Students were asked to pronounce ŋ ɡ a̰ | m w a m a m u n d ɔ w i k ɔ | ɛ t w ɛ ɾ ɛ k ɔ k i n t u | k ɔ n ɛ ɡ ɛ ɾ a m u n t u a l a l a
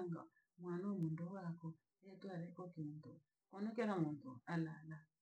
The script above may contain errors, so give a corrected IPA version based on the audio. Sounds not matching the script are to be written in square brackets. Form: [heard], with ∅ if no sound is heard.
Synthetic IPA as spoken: ŋ ɡ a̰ | m w a [n] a m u n d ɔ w [a] k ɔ | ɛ t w [a] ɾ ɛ k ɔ k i n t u | k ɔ n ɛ [k] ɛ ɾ a m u n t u a l a l a